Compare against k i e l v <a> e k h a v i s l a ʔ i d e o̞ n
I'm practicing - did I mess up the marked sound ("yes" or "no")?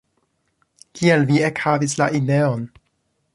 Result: yes